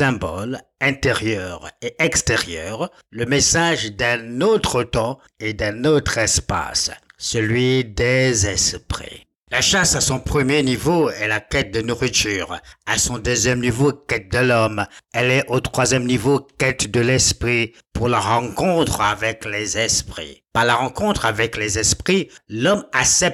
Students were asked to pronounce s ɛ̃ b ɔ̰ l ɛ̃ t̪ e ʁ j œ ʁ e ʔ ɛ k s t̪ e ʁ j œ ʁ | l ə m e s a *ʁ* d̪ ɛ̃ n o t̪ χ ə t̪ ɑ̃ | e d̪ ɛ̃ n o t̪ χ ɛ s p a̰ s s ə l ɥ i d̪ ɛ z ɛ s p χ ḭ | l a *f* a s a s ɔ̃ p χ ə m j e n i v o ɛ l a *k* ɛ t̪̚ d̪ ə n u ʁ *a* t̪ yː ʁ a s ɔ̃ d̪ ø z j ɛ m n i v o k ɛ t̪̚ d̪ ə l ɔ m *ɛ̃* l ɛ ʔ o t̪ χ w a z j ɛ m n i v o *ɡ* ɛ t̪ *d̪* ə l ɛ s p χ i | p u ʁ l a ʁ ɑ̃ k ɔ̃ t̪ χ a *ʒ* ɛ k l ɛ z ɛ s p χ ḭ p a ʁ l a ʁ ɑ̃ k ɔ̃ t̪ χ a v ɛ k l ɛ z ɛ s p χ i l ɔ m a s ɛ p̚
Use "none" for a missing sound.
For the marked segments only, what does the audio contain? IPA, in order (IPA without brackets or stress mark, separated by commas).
ʒ, ʃ, k, i, ɛ, k, d̪, v